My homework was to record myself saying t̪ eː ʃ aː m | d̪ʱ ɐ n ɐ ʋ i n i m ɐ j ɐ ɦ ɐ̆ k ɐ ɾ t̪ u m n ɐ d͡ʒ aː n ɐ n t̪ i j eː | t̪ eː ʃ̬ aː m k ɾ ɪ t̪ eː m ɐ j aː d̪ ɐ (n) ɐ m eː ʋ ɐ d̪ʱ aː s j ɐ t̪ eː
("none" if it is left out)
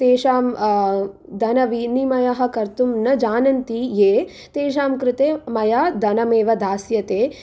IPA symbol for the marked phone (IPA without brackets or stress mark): n